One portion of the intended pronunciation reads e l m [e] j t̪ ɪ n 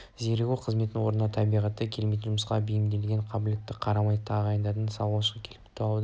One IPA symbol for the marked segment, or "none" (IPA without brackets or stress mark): e